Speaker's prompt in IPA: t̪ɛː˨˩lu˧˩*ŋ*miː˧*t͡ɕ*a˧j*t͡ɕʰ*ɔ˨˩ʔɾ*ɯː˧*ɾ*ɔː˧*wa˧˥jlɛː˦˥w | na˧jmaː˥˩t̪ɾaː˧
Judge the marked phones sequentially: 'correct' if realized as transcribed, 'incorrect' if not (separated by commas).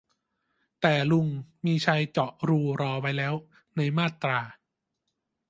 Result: correct, incorrect, incorrect, incorrect, correct